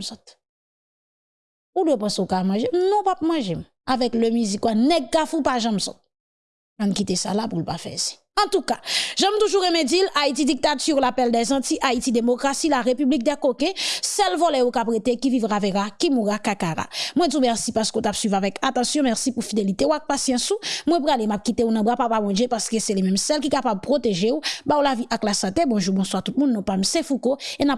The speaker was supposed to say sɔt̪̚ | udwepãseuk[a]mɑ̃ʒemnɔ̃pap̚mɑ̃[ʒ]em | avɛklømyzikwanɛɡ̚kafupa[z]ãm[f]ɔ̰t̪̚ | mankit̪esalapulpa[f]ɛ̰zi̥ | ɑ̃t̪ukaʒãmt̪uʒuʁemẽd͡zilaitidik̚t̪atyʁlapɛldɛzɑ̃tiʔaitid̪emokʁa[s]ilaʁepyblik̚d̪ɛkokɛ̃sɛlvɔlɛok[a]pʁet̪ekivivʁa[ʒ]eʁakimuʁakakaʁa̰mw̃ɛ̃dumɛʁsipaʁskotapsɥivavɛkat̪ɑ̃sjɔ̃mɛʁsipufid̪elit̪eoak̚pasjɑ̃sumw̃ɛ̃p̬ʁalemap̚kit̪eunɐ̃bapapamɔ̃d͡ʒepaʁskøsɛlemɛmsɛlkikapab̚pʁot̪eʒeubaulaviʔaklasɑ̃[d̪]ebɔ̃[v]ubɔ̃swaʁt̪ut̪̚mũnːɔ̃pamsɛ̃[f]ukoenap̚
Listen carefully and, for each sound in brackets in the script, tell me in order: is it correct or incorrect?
correct, correct, incorrect: ʒ, incorrect: s, correct, correct, correct, incorrect: v, incorrect: t̪, incorrect: ʒ, correct

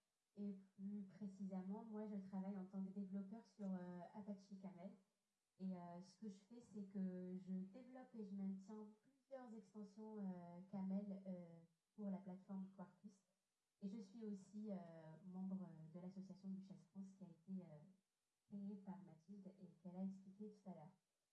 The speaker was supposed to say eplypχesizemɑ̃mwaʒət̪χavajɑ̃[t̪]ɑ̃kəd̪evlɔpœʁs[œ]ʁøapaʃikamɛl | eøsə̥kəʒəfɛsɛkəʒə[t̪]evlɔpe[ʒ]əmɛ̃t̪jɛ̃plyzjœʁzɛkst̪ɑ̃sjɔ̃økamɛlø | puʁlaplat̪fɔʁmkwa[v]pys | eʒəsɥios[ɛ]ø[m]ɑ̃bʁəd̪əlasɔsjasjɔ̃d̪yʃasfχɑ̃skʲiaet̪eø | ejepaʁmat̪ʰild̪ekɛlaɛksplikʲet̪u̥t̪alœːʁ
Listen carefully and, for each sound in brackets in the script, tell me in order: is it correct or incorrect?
correct, incorrect: y, incorrect: d̪, correct, incorrect: ʁ, incorrect: i, correct

